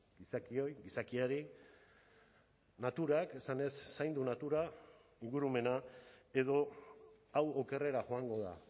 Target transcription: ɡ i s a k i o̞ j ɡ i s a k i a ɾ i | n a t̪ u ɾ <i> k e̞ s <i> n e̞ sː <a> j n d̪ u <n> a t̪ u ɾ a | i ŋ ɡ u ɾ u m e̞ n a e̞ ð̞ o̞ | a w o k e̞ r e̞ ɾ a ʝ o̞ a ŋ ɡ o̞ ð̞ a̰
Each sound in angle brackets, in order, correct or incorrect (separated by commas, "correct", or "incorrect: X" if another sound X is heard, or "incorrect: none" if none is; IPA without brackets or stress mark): incorrect: a, incorrect: a, correct, correct